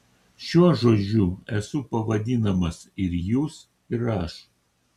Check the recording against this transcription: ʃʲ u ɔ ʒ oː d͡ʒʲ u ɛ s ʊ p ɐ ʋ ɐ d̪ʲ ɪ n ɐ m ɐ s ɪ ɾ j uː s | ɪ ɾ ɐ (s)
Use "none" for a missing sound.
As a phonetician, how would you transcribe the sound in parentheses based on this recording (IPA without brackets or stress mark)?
ʃ